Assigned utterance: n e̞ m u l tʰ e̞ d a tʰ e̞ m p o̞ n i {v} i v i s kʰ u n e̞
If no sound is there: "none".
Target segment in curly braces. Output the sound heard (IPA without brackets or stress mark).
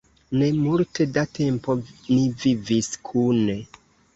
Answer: v